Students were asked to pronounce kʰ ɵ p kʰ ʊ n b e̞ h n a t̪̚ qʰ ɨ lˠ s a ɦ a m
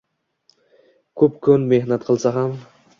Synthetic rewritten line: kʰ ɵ p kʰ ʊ n m e̞ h n a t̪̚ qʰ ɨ lˠ s a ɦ a m